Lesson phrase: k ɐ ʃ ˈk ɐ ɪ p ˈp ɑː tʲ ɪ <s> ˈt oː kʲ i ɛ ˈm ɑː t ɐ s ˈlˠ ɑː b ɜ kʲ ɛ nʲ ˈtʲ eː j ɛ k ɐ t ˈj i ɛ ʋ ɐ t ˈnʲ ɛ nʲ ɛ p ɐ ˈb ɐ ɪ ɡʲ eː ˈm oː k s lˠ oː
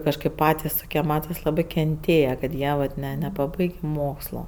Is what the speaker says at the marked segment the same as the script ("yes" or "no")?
yes